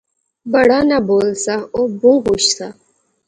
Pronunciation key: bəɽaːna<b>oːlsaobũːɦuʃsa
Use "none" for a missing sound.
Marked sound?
b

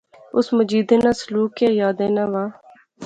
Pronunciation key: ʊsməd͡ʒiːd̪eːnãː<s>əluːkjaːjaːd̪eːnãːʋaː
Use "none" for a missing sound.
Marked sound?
s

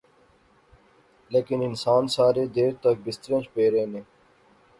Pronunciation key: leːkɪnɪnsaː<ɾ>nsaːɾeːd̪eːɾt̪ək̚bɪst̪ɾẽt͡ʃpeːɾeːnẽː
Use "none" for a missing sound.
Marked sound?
none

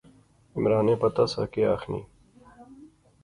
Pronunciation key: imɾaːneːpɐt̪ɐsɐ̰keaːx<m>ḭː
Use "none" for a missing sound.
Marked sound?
n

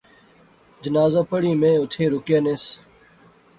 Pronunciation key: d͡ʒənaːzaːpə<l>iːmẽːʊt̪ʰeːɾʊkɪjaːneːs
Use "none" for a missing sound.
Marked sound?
ɽ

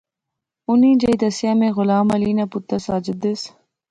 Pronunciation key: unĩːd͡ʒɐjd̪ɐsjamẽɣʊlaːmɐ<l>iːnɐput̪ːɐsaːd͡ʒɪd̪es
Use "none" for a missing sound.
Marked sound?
l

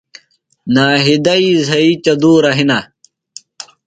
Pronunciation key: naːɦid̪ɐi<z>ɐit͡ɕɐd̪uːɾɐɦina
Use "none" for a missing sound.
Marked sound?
z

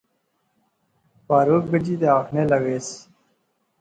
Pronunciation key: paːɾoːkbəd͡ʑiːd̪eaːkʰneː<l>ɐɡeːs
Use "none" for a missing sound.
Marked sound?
l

